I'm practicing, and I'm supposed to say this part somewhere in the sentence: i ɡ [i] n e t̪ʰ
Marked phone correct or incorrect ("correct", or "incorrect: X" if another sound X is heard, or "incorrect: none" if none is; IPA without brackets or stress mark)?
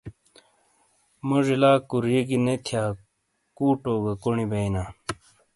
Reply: correct